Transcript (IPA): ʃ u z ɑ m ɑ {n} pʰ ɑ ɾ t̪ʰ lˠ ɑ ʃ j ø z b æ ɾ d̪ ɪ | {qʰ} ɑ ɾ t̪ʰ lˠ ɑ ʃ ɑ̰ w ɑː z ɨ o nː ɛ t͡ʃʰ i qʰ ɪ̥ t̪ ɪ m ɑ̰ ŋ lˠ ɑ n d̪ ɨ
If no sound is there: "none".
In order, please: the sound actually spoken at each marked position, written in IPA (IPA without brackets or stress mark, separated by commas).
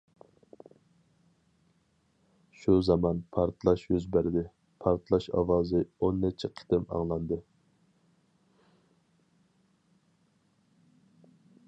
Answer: n, pʰ